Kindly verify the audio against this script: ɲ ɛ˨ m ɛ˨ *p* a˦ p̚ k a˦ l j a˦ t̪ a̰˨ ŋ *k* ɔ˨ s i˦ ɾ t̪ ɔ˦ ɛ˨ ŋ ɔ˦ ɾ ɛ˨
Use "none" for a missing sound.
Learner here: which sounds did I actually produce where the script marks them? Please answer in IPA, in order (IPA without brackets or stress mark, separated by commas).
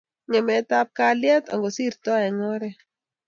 t, ɡ